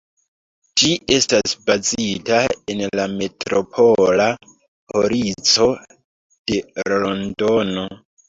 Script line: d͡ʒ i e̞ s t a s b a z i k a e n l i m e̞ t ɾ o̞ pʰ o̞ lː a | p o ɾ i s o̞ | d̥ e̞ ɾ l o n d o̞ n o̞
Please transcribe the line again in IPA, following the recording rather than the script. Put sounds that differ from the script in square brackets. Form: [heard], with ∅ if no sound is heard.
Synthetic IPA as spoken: d͡ʒ i e̞ s t a s b a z i [t] a e n l [a] m e̞ t ɾ o̞ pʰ o̞ [l] a | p o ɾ i [t͡s] o̞ | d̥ e̞ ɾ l o n d o̞ n o̞